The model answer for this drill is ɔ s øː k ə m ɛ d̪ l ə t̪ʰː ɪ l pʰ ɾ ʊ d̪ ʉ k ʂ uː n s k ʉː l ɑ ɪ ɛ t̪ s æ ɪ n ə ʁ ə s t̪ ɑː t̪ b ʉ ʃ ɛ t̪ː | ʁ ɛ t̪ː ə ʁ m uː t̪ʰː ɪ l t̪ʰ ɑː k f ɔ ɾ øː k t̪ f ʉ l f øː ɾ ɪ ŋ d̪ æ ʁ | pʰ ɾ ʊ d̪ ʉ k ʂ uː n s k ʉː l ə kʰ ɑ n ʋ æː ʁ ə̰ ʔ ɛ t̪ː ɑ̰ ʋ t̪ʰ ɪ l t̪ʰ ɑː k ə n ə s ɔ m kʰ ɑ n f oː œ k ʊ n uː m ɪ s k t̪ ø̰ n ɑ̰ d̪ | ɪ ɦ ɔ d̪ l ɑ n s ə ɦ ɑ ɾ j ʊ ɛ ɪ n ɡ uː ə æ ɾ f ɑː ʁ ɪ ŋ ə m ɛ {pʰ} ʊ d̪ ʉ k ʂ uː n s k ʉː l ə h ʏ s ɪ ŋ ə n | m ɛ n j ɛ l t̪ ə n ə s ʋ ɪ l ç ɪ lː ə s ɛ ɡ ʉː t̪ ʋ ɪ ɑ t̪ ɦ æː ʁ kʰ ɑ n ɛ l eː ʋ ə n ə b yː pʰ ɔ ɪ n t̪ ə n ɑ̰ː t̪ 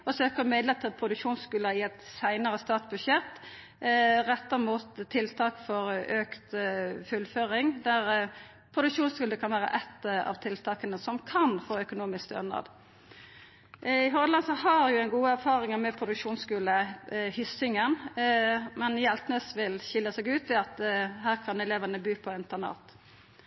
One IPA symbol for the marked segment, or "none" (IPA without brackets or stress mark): pʰ